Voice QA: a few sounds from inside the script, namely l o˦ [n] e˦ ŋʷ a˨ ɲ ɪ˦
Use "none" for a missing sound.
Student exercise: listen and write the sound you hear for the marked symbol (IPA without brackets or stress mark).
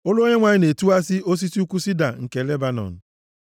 ɲ